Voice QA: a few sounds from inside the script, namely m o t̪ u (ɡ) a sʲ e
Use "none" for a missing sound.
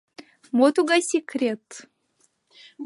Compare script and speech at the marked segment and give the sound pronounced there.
ɡ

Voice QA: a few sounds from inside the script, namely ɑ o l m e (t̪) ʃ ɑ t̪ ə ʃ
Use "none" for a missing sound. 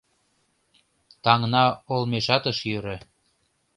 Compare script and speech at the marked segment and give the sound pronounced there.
none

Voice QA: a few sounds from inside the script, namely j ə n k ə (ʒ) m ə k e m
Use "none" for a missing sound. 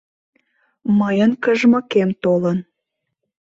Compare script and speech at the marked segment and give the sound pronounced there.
ʒ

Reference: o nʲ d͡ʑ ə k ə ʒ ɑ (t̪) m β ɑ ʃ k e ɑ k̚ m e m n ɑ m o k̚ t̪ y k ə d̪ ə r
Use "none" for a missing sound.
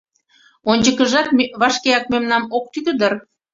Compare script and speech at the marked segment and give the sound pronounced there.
t̪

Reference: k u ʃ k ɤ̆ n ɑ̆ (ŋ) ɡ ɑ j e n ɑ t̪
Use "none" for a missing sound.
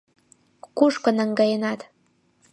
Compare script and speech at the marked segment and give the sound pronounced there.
ŋ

